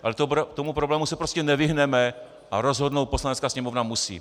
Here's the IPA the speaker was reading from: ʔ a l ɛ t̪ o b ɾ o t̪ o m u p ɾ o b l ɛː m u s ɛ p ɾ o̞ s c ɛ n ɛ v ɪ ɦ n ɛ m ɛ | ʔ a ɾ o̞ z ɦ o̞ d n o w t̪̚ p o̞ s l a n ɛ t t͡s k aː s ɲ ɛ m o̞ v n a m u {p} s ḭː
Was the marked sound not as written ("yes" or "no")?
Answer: yes